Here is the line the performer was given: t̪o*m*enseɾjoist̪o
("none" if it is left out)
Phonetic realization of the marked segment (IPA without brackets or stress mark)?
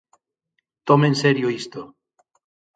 m